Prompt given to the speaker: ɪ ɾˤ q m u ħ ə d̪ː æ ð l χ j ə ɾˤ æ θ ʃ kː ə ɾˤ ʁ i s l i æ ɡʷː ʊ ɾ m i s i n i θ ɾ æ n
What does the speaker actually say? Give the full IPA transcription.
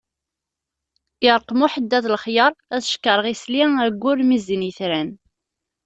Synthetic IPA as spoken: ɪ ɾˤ q m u ħ ə d̪ː æ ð l χ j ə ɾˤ æ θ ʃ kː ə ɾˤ ʁ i s l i æ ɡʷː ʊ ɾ m i z i n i θ ɾ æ n

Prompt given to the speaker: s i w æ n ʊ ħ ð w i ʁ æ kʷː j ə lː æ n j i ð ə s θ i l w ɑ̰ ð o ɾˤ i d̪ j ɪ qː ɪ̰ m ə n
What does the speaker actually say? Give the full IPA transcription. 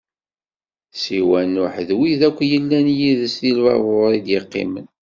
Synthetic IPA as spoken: s i w æ n ʊ ħ ð w i ð æ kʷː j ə lː æ n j i ð ə s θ i l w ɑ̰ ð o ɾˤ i d̪ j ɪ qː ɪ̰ m ə n

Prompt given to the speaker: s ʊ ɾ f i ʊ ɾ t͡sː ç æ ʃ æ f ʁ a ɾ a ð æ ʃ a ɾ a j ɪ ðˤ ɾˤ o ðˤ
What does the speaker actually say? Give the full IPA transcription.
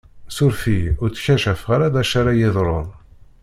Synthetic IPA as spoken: s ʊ ɾ f i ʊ ɾ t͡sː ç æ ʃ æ f ʁ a ɾ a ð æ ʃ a ɾ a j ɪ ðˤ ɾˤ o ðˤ

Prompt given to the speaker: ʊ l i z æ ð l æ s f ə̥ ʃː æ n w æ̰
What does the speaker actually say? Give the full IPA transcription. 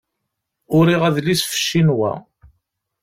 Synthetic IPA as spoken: ʊ ɾ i ʁ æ ð l i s f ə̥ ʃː i n w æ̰

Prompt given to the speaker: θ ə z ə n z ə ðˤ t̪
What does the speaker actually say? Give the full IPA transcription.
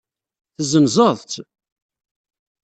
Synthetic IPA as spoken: θ ə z ə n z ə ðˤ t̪

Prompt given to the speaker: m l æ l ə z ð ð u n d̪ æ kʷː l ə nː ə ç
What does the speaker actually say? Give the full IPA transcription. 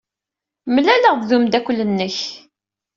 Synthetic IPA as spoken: m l æ l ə ʁ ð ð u m d̪ æ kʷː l ə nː ə ç

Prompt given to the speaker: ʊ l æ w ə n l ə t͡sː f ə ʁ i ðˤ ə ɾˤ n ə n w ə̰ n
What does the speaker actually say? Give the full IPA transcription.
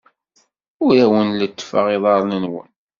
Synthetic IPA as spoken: ʊ ɾ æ w ə n l ə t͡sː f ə ʁ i ðˤ ɑ ɾˤ n ə n w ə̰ n

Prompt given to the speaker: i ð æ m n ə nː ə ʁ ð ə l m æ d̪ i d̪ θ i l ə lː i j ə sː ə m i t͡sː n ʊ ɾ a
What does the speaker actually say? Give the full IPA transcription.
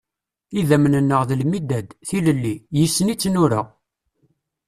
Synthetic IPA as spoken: i ð æ m n ə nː ə ʁ ð ə l m i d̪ æ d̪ θ i l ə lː i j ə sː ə n i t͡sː n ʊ ɾ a

